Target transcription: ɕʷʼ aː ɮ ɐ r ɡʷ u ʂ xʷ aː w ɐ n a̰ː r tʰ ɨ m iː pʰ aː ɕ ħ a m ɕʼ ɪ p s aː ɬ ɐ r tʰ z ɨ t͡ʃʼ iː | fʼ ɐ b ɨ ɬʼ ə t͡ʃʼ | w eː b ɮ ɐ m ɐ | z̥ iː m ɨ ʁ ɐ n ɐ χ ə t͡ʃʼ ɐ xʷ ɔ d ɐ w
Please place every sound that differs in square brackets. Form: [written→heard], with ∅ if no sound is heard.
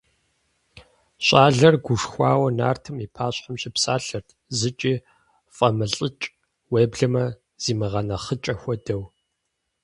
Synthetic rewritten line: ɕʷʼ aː ɮ ɐ r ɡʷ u ʂ xʷ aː w ɐ n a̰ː r tʰ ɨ m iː pʰ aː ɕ ħ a m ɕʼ ɪ p s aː ɬ ɐ r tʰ z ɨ t͡ʃʼ iː | fʼ ɐ [b→m] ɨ ɬʼ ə t͡ʃʼ | w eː b ɮ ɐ m ɐ | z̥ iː m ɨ ʁ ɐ n ɐ χ ə t͡ʃʼ ɐ xʷ ɔ d ɐ w